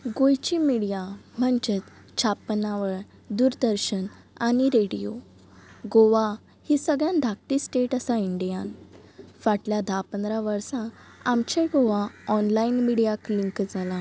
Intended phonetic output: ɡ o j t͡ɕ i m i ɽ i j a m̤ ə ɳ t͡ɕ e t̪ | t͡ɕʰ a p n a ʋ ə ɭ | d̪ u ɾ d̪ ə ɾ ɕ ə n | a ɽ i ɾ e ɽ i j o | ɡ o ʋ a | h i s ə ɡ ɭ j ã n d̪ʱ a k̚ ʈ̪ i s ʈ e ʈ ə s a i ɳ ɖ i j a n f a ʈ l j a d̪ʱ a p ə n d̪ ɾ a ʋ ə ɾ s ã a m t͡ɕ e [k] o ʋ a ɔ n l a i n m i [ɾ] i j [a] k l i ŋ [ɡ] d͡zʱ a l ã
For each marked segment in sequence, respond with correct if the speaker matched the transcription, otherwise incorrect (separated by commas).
incorrect, incorrect, correct, incorrect